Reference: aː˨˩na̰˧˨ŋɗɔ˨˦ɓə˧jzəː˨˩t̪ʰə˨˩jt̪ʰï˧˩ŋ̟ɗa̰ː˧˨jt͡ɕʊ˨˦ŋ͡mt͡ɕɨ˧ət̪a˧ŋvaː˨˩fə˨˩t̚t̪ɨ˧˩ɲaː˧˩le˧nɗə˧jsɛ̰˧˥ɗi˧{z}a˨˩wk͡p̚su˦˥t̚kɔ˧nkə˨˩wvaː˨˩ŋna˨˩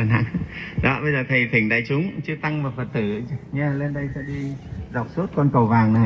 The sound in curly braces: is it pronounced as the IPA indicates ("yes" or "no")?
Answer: yes